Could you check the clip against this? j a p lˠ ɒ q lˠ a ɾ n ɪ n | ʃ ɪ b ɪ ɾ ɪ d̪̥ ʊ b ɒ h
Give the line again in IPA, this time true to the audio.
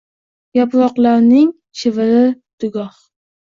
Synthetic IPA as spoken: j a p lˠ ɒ q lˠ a ɾ n ɪ ŋ | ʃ ɪ v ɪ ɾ ɪ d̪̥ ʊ ɡ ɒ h